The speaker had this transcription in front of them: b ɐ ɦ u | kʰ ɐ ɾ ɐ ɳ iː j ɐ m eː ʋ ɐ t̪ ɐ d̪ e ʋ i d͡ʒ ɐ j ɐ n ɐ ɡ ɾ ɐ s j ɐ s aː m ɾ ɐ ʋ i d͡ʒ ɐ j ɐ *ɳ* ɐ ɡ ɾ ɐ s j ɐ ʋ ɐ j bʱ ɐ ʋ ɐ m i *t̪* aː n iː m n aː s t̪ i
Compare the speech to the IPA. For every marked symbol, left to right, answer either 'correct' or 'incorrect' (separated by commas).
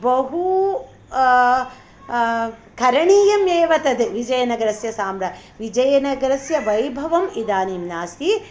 incorrect, incorrect